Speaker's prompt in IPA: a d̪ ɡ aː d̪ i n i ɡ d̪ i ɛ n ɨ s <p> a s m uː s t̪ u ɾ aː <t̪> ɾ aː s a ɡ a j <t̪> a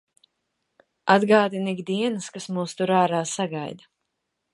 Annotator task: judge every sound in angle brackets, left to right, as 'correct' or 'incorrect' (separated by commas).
incorrect, incorrect, incorrect